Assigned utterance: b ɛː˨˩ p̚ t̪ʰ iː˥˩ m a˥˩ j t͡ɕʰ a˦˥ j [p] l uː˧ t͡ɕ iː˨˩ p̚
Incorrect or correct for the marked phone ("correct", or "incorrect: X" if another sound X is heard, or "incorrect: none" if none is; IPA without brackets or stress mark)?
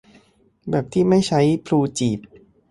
incorrect: pʰ